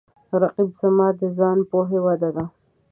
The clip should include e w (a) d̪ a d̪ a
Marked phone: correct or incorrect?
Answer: correct